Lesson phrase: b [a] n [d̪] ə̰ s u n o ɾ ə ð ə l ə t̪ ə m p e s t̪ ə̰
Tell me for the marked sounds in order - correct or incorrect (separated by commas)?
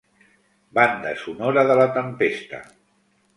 correct, correct